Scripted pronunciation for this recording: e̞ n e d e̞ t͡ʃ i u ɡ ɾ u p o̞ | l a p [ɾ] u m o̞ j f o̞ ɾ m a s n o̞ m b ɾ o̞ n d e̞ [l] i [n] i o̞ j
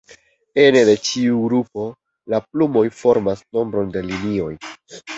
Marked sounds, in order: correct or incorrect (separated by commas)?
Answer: incorrect, correct, correct